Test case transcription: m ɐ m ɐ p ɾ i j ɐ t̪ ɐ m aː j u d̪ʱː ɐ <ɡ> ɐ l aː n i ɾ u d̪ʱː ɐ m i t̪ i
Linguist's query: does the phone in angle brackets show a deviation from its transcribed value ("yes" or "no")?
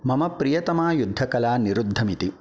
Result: yes